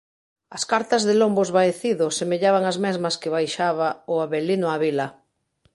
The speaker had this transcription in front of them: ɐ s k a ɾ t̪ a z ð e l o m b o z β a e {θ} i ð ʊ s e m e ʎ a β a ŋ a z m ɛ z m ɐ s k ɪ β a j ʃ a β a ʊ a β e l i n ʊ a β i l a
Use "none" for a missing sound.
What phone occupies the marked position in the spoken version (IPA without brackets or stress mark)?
θ